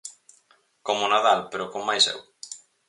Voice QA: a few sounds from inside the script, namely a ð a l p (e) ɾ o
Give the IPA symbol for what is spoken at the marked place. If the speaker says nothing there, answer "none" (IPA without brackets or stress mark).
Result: e